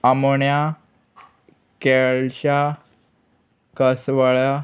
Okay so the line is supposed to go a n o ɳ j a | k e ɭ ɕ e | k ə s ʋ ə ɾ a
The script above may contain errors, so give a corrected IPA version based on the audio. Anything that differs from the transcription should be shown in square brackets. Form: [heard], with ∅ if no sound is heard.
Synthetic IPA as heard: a [m] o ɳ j a | k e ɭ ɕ [a] | k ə s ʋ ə [ɭ] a